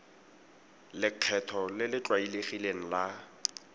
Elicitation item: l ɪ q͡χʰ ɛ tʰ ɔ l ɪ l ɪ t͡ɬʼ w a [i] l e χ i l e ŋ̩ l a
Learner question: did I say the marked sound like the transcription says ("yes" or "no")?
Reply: yes